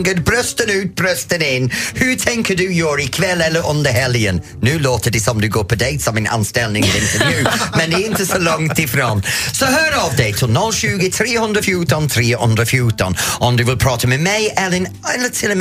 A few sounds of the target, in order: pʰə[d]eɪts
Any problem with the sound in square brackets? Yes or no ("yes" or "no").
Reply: no